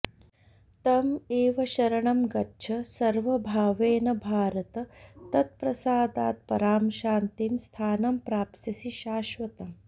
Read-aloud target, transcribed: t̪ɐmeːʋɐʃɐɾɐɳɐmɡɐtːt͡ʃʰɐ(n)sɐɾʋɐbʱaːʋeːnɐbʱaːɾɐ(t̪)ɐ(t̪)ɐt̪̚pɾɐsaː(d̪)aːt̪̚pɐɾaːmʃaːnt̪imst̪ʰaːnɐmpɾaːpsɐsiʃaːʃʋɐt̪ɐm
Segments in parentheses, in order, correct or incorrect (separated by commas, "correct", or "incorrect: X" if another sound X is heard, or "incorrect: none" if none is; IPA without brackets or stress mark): incorrect: none, correct, correct, correct